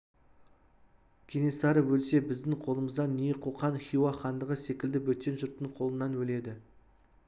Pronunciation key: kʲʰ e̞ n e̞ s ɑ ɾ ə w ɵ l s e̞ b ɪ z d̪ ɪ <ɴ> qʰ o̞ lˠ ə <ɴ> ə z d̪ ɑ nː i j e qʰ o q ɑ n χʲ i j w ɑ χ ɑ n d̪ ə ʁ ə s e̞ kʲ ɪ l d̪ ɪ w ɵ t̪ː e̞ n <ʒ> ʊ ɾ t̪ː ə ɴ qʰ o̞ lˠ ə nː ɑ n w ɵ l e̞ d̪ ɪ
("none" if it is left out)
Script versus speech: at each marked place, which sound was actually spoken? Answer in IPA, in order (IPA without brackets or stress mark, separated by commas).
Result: ŋ, m, ʒ